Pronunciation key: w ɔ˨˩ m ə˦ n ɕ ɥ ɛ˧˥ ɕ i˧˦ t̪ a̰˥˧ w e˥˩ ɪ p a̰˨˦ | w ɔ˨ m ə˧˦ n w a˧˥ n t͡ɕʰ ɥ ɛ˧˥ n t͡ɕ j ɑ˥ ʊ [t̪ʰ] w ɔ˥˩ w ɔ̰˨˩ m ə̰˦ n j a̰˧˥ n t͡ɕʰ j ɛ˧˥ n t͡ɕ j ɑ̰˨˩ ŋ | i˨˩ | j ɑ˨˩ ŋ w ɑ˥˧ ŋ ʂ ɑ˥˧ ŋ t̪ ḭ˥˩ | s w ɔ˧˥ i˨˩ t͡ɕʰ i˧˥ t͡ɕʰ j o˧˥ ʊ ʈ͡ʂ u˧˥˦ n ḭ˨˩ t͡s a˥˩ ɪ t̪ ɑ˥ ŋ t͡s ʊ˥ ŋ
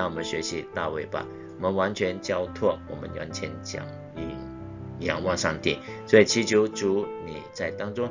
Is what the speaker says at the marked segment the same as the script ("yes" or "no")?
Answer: yes